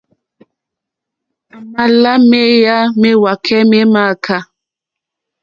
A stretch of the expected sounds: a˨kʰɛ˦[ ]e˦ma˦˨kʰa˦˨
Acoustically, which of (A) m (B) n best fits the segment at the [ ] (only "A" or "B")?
A